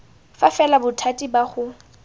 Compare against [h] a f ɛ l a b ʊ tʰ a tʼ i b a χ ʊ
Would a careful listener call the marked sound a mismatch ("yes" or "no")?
yes